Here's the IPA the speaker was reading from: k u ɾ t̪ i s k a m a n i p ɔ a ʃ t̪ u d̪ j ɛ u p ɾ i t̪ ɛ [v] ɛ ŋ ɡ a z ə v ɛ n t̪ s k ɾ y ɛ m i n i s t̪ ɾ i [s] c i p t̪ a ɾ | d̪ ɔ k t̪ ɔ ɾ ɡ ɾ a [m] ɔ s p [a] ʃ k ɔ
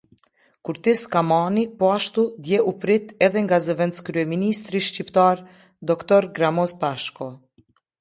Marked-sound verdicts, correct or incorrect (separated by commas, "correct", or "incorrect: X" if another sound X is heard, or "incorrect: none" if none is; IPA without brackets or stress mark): incorrect: ð, incorrect: ʃ, correct, correct